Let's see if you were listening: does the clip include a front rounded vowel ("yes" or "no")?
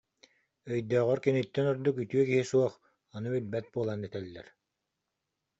yes